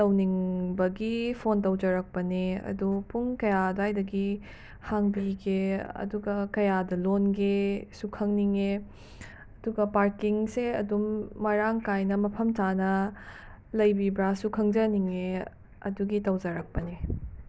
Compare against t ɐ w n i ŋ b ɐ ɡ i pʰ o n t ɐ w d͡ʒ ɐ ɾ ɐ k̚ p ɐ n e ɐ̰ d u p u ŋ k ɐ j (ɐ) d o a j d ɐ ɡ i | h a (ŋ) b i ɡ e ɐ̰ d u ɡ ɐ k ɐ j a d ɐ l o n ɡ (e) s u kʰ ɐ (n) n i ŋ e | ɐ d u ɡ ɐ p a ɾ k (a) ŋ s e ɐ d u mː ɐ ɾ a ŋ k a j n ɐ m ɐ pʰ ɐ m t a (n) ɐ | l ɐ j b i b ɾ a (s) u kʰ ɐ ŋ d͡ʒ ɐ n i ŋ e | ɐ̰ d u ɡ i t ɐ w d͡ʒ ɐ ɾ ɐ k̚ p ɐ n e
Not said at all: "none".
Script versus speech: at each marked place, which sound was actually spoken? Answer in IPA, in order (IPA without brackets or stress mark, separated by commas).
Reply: a, ŋ, e, ŋ, i, n, s